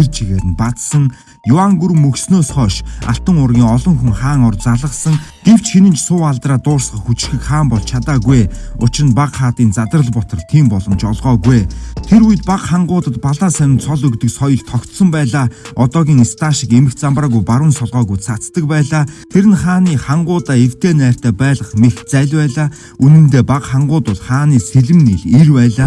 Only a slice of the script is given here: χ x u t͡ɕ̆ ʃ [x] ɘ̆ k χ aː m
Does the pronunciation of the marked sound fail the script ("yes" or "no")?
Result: no